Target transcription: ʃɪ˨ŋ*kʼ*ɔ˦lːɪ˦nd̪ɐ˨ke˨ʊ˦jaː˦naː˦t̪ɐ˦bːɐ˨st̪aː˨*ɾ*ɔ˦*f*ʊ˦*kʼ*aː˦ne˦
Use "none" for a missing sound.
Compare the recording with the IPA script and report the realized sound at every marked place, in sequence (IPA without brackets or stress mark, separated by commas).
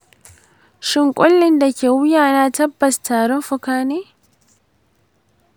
kʼ, ɾ, f, k